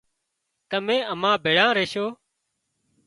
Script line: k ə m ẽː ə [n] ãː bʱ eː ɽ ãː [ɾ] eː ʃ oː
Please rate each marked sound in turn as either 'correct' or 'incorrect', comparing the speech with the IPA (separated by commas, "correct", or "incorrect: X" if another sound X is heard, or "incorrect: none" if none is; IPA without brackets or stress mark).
incorrect: m, correct